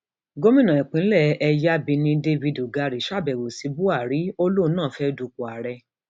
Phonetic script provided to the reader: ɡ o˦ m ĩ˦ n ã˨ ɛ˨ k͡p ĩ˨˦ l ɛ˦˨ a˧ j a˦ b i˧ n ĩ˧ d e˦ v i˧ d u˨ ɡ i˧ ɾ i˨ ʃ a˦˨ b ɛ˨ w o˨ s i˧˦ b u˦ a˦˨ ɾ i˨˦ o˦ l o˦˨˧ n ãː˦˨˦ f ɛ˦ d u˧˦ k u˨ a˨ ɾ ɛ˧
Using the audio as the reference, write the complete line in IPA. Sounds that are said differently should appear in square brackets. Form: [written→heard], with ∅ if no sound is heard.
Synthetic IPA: ɡ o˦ m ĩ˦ n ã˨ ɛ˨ k͡p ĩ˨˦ l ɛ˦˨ [a˧→ɛ˧] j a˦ b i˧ n ĩ˧ d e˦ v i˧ d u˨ ɡ [i˧→a˧] ɾ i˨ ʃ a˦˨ b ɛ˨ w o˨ s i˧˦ b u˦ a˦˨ ɾ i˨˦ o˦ l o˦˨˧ n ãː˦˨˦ f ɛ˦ d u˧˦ k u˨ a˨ ɾ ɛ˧